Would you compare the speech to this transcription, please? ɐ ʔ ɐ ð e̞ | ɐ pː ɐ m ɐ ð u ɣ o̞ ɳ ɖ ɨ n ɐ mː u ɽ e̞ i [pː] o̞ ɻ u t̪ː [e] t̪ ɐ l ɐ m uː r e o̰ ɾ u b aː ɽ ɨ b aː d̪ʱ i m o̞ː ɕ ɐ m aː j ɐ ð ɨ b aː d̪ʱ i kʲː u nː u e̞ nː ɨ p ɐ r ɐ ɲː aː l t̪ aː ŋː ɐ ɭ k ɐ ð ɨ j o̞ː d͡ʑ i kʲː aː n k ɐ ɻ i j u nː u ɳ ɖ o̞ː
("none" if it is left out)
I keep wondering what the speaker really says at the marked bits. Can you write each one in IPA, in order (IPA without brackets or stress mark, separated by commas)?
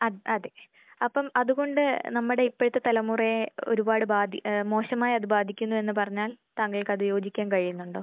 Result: pː, e